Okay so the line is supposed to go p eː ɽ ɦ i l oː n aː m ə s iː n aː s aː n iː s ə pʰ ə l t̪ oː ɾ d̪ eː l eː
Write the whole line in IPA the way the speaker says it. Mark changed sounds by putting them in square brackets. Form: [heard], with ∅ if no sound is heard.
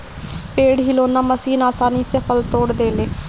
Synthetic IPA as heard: p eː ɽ ɦ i l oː n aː m ə s iː n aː s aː n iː s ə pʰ ə l t̪ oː [ɽ] d̪ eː l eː

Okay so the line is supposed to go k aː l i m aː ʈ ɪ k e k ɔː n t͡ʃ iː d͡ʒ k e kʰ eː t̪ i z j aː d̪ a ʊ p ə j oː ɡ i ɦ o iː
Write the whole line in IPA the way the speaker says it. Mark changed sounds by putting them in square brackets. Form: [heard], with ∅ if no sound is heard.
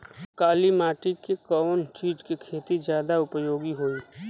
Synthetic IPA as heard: k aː l i m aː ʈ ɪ k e k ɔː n t͡ʃ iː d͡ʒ k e kʰ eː t̪ i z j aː d̪ a ʊ p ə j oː ɡ i ɦ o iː

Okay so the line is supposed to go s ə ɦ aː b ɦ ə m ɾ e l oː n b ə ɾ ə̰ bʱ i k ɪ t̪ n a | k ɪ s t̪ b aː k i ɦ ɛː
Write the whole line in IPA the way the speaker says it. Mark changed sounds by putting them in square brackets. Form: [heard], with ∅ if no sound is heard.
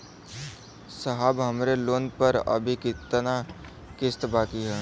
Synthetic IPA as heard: s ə ɦ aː b ɦ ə m ɾ e l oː n [p] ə ɾ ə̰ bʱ i k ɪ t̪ n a | k ɪ s t̪ b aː k i ɦ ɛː

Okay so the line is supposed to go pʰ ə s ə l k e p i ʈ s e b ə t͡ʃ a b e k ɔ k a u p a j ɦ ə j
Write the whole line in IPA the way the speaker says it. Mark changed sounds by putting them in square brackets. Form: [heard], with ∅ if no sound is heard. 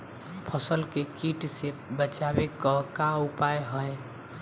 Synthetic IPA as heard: pʰ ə s ə l k e [k] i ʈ s e b ə t͡ʃ a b e k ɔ k a u p a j ɦ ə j

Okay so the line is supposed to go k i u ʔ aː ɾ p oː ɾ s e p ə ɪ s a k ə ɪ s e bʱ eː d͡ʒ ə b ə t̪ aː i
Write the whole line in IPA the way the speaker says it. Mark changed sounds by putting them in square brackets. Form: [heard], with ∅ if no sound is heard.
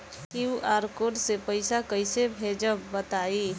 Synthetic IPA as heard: k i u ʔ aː ɾ [k] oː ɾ s e p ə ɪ s a k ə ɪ s e bʱ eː d͡ʒ ə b ə t̪ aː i

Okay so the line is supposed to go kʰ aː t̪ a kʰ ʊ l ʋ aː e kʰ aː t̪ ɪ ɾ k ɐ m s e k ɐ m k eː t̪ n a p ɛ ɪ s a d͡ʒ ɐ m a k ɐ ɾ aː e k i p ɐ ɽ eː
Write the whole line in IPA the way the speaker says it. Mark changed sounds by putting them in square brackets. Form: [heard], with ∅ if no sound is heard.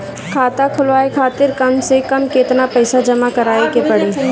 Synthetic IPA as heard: kʰ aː t̪ a kʰ ʊ l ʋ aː e kʰ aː t̪ ɪ ɾ k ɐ m s e k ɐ m k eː t̪ n a p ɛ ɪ s a d͡ʒ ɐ m a k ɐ ɾ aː e k [e] p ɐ ɽ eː

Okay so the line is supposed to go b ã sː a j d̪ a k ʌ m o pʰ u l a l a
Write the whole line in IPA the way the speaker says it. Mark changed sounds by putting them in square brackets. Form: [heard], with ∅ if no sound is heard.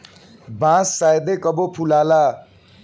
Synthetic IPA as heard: b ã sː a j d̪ [e] k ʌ [b] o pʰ u l a l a

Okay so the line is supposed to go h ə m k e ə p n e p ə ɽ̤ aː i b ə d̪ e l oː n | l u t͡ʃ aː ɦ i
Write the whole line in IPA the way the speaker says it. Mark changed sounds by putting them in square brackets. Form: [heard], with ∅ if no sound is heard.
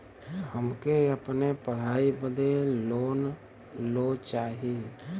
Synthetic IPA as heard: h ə m k e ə p n e p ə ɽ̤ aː i b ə d̪ e l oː n | l [o] t͡ʃ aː ɦ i

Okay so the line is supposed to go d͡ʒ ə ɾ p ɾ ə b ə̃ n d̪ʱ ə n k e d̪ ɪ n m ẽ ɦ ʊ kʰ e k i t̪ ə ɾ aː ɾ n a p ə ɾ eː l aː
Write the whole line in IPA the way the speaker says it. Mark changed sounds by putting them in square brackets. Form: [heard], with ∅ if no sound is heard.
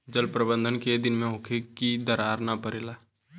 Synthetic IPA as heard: d͡ʒ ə [l] p ɾ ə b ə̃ n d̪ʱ ə n k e d̪ ɪ n m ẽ ɦ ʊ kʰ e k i [d̪] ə ɾ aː ɾ n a p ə ɾ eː l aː

